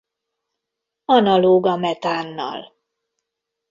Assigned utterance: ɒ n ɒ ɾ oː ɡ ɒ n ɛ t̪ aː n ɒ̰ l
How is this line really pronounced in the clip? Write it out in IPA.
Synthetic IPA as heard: ɒ n ɒ l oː ɡ ɒ m ɛ t̪ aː nː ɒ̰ l